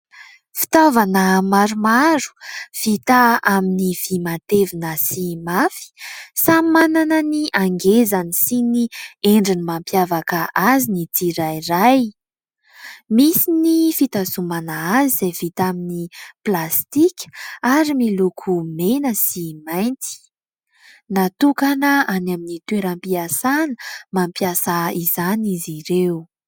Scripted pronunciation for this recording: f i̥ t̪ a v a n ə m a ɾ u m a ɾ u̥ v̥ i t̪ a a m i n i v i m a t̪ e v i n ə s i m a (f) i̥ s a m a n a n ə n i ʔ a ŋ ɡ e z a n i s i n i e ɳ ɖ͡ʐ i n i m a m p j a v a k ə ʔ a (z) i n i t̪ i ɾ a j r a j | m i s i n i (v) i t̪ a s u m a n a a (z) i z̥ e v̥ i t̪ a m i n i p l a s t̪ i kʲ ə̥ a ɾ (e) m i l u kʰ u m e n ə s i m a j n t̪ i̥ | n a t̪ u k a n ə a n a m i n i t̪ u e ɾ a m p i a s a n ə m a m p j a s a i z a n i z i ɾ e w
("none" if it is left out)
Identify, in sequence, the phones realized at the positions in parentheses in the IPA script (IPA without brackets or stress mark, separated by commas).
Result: f, z, f, z, i